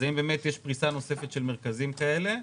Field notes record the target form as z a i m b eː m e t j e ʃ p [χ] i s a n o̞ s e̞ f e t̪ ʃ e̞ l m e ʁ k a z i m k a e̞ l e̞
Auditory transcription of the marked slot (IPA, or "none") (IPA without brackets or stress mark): ʁ